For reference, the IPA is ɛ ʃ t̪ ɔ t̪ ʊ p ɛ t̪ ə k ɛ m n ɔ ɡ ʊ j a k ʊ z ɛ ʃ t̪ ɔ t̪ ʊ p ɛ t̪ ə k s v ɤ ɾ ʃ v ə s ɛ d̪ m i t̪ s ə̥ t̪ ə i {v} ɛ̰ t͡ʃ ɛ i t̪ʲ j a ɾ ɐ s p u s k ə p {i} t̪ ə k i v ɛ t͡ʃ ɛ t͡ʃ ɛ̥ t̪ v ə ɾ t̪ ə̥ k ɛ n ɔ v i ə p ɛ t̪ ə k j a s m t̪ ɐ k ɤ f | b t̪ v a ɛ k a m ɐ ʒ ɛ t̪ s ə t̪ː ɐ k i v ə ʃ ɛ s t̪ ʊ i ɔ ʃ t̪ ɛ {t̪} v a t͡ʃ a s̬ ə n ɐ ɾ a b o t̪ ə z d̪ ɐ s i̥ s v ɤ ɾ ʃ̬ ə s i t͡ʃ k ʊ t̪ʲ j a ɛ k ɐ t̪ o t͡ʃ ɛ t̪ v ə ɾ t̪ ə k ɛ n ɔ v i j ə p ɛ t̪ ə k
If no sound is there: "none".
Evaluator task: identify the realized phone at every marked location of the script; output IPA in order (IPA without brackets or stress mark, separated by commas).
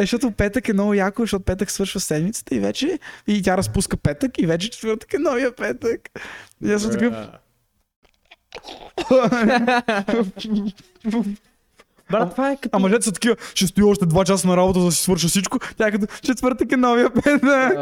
v, ɛ, d̪